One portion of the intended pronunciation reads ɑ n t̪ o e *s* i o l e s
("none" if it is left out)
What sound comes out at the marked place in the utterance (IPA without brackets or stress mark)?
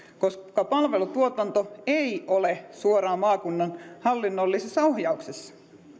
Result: none